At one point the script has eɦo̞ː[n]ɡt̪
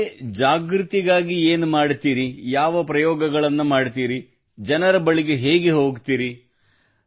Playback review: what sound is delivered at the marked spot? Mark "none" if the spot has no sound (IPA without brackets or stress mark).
none